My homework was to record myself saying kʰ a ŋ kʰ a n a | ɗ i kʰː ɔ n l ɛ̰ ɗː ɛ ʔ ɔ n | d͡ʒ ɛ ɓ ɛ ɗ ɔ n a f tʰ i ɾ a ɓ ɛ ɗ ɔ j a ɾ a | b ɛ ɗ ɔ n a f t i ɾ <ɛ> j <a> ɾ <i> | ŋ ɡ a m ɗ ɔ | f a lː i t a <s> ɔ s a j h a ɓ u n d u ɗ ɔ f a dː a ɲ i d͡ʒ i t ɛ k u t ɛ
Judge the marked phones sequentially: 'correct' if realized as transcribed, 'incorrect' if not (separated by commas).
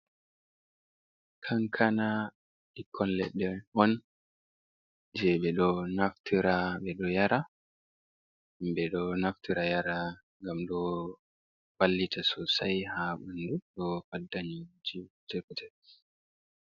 incorrect, correct, incorrect, correct